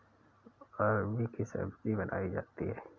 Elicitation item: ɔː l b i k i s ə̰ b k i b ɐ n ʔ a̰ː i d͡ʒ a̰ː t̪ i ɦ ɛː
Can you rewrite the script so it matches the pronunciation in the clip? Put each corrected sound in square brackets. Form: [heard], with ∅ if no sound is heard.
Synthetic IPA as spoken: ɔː [ɾ] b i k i s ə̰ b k i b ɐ n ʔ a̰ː i d͡ʒ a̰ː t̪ i ɦ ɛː